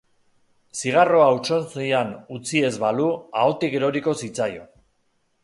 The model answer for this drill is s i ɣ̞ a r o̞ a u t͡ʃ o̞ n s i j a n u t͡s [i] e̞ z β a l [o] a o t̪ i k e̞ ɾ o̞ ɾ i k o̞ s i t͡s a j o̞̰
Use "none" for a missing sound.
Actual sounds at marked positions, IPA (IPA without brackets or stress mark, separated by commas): i, u